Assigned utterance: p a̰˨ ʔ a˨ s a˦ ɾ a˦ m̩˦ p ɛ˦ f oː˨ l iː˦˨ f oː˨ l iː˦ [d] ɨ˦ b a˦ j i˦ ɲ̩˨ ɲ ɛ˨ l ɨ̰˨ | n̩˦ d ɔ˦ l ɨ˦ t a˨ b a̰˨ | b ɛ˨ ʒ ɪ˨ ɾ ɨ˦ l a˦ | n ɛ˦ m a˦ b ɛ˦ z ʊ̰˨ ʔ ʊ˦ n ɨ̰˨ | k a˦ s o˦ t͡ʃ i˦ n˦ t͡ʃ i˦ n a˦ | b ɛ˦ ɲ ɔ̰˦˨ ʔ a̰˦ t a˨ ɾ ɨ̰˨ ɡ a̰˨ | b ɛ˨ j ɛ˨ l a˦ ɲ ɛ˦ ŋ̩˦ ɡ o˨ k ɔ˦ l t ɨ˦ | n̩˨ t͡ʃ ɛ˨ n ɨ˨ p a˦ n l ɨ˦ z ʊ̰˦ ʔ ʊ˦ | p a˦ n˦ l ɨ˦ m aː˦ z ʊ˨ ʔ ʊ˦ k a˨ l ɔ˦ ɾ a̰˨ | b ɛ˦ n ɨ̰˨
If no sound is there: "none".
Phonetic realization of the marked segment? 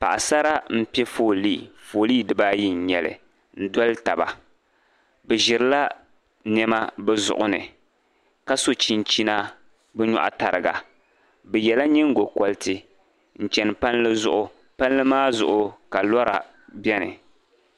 d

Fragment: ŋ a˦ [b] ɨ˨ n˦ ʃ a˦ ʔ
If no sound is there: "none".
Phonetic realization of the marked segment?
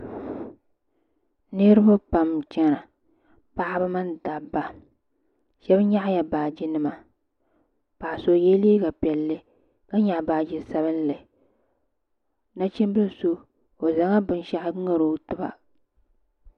b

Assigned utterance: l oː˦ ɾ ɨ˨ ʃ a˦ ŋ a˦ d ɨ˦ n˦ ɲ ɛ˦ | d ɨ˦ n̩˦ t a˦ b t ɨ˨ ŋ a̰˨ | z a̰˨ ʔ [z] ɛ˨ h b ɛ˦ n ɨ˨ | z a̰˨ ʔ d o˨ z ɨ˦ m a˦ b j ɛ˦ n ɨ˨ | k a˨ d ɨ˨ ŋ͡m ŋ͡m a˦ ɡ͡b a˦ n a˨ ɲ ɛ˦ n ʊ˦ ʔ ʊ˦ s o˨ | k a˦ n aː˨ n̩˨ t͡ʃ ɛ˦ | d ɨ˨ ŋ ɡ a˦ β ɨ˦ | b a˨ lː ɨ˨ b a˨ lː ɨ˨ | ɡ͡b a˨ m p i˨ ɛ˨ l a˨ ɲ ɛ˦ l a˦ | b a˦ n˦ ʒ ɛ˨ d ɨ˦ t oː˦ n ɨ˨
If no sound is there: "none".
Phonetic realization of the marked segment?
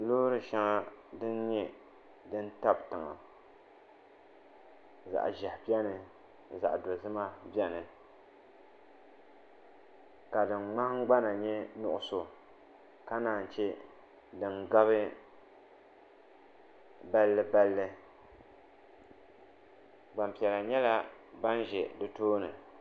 ʒ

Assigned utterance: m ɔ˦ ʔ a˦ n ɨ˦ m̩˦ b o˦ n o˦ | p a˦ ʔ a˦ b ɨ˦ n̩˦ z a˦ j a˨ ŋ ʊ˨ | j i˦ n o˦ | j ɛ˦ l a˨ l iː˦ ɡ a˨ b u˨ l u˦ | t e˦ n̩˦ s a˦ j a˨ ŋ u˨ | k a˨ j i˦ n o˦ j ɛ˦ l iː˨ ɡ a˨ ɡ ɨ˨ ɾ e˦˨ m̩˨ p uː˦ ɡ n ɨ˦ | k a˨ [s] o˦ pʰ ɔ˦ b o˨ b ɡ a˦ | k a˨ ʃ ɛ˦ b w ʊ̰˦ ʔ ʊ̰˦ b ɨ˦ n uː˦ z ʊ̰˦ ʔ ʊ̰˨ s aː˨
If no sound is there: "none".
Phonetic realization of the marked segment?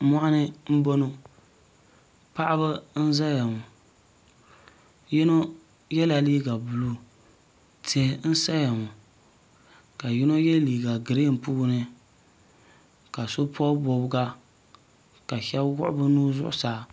s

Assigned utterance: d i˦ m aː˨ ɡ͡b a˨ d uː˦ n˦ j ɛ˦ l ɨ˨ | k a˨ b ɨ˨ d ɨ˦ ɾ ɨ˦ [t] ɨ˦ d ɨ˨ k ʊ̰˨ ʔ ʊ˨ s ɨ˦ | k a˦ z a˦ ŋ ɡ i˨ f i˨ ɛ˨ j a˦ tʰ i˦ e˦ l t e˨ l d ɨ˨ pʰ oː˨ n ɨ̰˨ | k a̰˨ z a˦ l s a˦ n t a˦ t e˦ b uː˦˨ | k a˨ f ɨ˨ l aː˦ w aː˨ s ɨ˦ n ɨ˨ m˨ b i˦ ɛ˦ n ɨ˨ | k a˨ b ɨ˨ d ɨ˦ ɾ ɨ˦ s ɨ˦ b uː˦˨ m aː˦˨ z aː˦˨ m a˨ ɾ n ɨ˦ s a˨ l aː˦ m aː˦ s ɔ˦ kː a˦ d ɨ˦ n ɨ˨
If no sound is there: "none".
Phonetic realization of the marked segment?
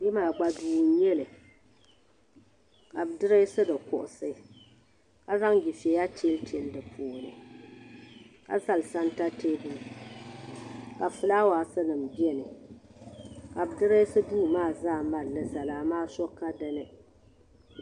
s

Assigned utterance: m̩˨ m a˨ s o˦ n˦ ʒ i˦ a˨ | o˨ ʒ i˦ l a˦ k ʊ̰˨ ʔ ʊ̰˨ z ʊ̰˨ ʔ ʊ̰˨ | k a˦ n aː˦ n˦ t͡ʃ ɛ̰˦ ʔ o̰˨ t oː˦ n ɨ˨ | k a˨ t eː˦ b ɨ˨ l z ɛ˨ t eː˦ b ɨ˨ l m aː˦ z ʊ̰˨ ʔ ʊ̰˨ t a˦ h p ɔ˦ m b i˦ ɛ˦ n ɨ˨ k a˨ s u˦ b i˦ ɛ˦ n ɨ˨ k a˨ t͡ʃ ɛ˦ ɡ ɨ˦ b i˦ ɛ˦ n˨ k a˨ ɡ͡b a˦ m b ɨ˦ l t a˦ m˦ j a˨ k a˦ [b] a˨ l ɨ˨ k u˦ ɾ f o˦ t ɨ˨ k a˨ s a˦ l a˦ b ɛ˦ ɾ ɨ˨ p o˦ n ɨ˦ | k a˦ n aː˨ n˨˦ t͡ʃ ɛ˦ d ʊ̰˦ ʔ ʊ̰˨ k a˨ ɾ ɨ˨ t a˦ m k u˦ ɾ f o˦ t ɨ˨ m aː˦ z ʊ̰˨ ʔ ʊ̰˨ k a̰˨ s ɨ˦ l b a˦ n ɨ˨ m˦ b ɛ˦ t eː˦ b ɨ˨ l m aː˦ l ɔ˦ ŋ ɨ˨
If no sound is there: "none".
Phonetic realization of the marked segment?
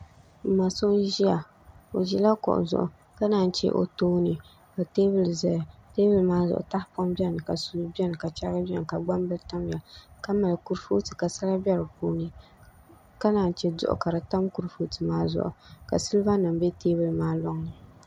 m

